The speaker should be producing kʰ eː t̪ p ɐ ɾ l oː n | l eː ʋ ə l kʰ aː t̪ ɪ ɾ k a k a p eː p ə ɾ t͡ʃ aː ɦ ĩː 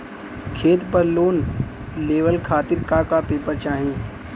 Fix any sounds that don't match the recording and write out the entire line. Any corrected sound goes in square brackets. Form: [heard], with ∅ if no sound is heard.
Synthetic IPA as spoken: kʰ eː t̪ p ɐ ɾ l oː n | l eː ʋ ə l kʰ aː t̪ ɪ ɾ k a k a p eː p ə ɾ t͡ʃ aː ɦ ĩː